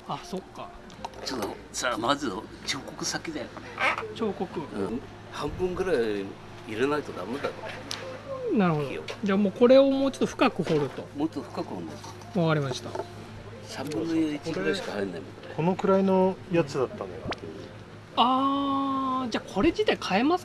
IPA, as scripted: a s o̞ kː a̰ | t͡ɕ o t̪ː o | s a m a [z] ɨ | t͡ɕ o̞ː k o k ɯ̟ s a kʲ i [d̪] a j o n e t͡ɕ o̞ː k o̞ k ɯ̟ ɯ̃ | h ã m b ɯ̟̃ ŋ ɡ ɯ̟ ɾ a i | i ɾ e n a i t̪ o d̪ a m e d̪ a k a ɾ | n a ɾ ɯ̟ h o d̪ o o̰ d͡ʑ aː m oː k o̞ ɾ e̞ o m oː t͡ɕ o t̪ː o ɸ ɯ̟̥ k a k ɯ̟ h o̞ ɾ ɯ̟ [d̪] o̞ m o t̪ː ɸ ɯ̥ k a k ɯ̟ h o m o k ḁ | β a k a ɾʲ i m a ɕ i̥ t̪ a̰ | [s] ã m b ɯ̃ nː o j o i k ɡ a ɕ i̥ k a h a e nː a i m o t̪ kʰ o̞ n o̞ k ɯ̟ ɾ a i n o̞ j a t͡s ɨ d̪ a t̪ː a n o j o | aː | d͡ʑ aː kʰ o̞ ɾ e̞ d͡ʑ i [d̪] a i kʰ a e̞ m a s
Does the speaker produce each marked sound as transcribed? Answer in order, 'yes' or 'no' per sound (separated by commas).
yes, yes, no, yes, no